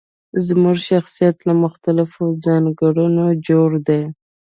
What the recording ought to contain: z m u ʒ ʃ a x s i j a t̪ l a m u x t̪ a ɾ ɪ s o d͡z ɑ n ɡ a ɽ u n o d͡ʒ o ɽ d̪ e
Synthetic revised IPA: z m u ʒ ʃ a x s i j a t̪ l a m ʊ x t̪ a l ɪ f o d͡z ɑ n ɡ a ɽ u n o d͡ʒ o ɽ d̪ e